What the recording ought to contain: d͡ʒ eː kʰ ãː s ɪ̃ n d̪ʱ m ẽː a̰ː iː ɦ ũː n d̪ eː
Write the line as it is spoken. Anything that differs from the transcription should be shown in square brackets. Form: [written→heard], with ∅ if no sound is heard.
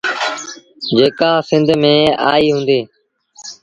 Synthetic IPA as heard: d͡ʒ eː [kʰ→k] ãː s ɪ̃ n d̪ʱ m ẽː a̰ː iː ɦ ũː n d̪ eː